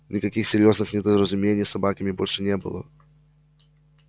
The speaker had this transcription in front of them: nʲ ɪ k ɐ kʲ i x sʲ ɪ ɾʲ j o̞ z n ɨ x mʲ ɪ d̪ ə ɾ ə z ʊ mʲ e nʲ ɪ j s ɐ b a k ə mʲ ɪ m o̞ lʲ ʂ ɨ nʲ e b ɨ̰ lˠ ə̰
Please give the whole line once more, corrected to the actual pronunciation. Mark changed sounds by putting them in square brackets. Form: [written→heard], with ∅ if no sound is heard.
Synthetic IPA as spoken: nʲ ɪ k ɐ kʲ i x sʲ ɪ ɾʲ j o̞ z n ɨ x [mʲ→nʲ] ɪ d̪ ə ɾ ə z ʊ mʲ e nʲ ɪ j s ɐ b a k ə mʲ ɪ [m→b] o̞ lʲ ʂ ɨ nʲ e b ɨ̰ lˠ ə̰